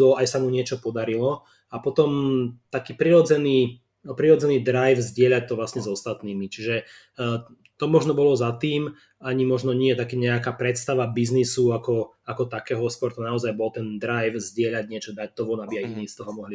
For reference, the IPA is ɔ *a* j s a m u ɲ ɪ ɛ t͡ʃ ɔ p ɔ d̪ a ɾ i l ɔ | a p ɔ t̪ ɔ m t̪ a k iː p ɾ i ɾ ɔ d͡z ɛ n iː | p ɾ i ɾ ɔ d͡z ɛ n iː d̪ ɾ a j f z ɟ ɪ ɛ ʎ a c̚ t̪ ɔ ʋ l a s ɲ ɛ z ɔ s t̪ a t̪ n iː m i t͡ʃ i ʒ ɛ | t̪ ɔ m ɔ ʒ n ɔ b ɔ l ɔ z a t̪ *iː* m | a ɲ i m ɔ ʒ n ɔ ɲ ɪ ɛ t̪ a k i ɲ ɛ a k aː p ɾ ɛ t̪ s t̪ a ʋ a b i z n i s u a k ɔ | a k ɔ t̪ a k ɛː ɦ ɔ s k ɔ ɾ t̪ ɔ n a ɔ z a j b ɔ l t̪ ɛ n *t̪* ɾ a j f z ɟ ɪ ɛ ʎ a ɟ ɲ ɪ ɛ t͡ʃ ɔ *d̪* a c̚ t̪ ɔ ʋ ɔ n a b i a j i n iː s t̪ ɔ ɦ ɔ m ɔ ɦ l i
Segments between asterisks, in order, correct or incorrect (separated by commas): correct, correct, incorrect, correct